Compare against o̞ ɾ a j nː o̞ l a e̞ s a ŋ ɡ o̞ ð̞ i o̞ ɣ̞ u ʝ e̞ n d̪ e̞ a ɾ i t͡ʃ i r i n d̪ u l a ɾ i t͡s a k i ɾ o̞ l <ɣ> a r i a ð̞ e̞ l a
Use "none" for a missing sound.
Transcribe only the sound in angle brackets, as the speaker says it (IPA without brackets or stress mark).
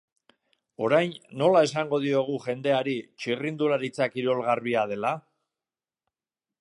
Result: ɣ